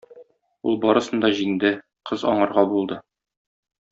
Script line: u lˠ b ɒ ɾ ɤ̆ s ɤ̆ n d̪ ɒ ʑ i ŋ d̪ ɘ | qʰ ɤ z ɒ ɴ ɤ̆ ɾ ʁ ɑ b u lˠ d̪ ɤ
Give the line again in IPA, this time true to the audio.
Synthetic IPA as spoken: u lˠ b ɒ ɾ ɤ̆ s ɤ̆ n d̪ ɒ ʑ i ŋ d̪ ɘ | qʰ ɤ z ɒ ɴ ɤ̆ ɾ ʁ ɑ b u lˠ d̪ ɤ